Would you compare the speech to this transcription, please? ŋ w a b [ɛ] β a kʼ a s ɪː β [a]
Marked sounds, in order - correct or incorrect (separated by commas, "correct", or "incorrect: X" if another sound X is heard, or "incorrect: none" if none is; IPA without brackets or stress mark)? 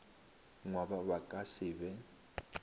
incorrect: a, incorrect: ɛ